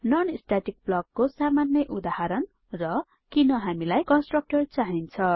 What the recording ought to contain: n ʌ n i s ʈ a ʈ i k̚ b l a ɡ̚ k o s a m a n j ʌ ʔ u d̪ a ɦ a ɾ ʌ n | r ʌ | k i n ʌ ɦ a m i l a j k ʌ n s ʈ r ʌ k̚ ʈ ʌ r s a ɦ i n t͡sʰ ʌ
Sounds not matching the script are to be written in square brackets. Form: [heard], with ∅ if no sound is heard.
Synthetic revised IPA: n ʌ n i s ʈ a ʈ i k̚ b l [ʌ] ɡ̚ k o s a m a n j ʌ ʔ u d̪ a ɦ a ɾ ʌ n | r ʌ | k i n ʌ ɦ a m i l a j k ʌ n s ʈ r ʌ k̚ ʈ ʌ r [t͡s] a ɦ i n t͡sʰ ʌ